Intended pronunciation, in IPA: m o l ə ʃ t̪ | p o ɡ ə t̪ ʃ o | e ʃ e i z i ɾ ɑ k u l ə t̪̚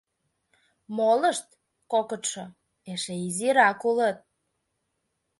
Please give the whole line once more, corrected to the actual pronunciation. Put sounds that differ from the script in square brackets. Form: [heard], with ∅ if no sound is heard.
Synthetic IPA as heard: m o l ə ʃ t̪ | [k] o [k] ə t̪ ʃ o | e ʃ e i z i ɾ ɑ k u l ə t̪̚